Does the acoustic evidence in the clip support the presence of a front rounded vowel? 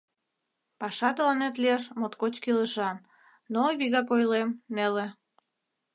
no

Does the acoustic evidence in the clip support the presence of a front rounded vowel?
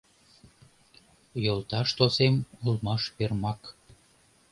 no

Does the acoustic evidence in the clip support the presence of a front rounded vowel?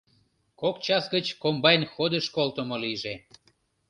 no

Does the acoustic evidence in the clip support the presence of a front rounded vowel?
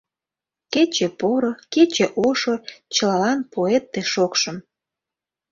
no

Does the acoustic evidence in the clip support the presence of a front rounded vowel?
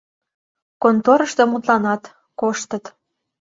no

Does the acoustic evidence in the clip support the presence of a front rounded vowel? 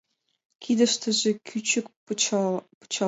yes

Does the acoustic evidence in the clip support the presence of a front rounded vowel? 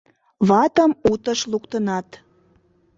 no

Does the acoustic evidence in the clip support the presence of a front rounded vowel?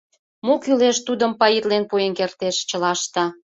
yes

